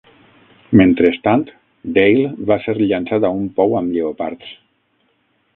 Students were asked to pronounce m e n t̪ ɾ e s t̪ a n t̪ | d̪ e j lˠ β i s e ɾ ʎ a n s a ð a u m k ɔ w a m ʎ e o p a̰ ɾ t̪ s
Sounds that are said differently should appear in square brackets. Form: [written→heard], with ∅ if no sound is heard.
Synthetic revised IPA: m e n t̪ ɾ e s t̪ a n t̪ | d̪ e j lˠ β [i→a] s e ɾ ʎ a n s a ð a u m [k→p] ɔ w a m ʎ e o p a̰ ɾ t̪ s